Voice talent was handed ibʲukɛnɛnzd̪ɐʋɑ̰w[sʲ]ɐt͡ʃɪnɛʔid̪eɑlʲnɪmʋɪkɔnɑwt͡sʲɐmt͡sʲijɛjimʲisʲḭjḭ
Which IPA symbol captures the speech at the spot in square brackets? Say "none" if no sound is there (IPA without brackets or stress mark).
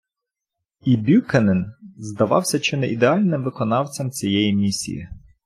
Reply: sʲ